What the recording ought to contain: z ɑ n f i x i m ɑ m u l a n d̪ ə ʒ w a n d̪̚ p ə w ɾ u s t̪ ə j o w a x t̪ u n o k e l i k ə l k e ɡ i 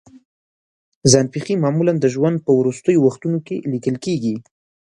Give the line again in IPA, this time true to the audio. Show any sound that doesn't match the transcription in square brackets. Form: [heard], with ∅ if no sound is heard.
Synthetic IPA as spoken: z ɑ n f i x i m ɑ m u l a n d̪ ə ʒ w a n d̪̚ p ə w ɾ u s t̪ ə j o w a x t̪ u n o k e l i k ə l k e ɡ i